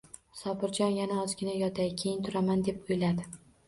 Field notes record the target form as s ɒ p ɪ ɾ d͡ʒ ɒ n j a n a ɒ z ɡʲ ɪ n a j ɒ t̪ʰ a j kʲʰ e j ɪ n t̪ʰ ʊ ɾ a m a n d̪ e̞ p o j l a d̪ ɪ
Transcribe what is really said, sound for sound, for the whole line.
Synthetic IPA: s ɒ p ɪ ɾ d͡ʒ ɒ n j a n a ɒ z ɡʲ ɪ n a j ɒ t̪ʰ a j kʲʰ e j ɪ n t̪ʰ ʊ ɾ a m a n d̪ e̞ p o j l a d̪ ɪ

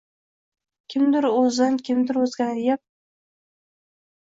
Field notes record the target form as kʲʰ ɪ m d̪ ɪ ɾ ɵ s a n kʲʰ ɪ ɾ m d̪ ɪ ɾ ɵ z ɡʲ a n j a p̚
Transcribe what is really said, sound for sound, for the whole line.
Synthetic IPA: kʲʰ ɪ m d̪ ɪ ɾ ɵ z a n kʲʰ ɪ m d̪ ɪ ɾ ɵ z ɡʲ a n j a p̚

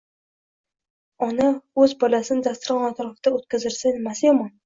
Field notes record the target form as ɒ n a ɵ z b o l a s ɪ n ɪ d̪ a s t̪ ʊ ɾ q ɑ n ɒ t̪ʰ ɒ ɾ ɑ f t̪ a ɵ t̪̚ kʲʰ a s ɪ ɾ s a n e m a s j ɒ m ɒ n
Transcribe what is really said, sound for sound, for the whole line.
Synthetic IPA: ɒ n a ɵ z b ɒ l a s ɪ n ɪ d̪ a s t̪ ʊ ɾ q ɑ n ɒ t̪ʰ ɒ ɾ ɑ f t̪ a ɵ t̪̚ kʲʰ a z ɪ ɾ s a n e m a s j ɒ m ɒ n

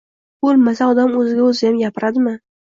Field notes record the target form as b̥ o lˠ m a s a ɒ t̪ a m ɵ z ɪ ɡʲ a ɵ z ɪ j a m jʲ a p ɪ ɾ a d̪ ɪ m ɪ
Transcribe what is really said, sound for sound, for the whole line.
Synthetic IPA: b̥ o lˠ m a s a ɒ d̪ a m ɵ z ɪ ɡʲ a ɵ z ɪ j a m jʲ a p ɪ ɾ a d̪ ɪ m ɪ

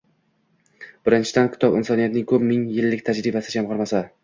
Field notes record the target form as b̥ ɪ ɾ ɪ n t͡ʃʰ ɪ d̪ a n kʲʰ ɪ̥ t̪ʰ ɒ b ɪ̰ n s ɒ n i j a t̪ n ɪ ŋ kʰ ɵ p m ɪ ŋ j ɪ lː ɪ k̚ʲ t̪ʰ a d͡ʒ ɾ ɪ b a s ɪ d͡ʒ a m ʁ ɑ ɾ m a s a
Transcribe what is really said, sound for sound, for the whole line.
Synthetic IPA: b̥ ɪ ɾ ɪ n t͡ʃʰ ɪ d̪ a n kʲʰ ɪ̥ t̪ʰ ɒ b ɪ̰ n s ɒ n i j a t̪ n ɪ ŋ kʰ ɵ p m ɪ ŋ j ɪ lː ɪ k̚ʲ t̪ʰ a d͡ʒ ɾ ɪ b a s ɪ d͡ʒ a m ʁ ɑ ɾ m a s a

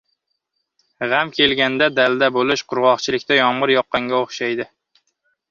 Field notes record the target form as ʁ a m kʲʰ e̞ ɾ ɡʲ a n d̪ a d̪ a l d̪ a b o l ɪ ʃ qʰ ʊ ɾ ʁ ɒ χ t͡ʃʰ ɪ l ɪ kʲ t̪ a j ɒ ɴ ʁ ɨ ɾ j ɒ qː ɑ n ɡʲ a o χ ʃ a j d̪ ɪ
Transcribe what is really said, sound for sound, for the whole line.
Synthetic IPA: ʁ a m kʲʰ e̞ l ɡʲ a n d̪ a d̪ a l d̪ a b o l ɪ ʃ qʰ ʊ ɾ ʁ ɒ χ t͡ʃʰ ɪ l ɪ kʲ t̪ a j ɒ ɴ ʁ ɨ ɾ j ɒ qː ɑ ŋ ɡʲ a o χ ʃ a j d̪ ɪ

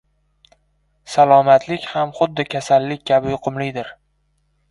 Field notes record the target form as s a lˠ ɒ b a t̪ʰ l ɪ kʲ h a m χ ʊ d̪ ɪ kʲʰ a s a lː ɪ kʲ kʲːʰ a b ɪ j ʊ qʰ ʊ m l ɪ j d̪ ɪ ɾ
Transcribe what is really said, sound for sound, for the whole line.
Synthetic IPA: s a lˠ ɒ m a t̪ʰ l ɪ kʲ h a m χ ʊ d̪ː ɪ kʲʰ a s a lː ɪ kʲ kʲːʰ a b ɪ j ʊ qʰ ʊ m l ɪ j d̪ ɪ ɾ

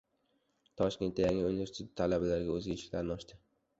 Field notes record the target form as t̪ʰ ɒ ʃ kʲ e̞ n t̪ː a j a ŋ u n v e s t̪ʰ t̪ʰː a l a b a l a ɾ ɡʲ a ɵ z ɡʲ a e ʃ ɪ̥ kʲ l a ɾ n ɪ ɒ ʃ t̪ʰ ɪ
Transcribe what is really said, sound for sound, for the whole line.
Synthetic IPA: t̪ʰ ɒ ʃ kʲ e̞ n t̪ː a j a ŋ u n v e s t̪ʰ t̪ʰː a l a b a l a ɾ ɡʲ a ɵ z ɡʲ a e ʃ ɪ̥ kʲ l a ɾ n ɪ ɒ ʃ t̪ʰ ɪ

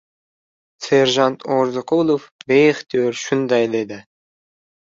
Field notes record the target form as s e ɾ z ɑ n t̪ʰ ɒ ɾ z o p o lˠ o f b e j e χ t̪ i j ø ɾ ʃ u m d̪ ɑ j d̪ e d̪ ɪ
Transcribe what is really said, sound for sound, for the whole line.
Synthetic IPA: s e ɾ ʒ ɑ n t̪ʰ o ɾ z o q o lˠ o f b e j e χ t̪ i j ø ɾ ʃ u n d̪ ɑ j d̪ e d̪ ɪ

